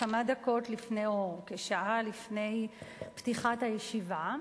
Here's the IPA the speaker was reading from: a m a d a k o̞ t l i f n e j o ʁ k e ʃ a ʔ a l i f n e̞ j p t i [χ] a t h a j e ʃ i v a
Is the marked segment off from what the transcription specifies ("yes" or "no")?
no